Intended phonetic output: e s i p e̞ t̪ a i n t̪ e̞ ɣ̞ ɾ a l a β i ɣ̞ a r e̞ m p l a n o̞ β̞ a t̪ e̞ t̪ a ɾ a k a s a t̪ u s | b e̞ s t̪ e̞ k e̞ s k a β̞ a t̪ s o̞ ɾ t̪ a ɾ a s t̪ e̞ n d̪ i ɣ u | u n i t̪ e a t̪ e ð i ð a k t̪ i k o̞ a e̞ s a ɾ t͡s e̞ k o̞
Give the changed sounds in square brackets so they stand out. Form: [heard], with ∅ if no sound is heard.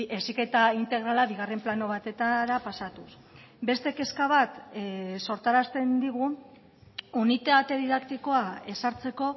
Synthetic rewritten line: e s i [k] e̞ t̪ a i n t̪ e̞ ɣ̞ ɾ a l a β i ɣ̞ a r e̞ m p l a n o̞ β̞ a t̪ e̞ t̪ a ɾ a [p] a s a t̪ u s | b e̞ s t̪ e̞ k e̞ s k a β̞ a t̪ s o̞ ɾ t̪ a ɾ a s t̪ e̞ n d̪ i ɣ u | u n i t̪ e a t̪ e ð i ð a k t̪ i k o̞ a e̞ s a ɾ t͡s e̞ k o̞